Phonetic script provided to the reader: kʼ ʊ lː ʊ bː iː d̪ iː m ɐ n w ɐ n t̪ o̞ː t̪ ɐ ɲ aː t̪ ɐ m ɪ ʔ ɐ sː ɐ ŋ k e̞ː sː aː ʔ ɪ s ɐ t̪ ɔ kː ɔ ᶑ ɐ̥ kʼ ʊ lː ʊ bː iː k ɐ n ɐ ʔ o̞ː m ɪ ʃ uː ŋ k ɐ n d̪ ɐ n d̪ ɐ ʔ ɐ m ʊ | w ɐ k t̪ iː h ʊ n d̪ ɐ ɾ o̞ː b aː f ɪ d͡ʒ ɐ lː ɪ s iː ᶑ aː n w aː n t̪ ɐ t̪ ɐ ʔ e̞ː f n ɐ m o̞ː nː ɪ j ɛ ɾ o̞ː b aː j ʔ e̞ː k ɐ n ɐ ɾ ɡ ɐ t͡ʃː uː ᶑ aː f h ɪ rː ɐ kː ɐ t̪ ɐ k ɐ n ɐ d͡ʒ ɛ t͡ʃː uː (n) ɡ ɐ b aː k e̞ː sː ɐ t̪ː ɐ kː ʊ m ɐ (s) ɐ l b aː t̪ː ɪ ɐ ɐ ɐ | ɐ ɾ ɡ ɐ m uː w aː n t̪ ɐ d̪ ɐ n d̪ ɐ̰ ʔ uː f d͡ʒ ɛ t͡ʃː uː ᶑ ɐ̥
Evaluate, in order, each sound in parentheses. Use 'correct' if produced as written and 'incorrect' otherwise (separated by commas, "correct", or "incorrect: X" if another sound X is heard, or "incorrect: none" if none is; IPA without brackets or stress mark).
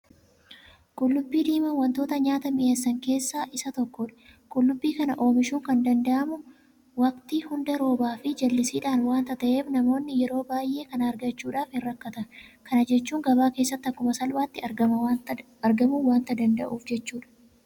incorrect: ŋ, correct